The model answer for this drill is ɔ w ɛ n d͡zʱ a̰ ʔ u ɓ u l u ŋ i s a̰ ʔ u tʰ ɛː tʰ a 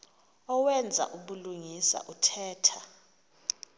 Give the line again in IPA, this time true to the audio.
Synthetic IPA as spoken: ɔ w ɛ n d͡zʱ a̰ ʔ u ɓ u l u ŋ i s a̰ ʔ u tʰ ɛː tʰ a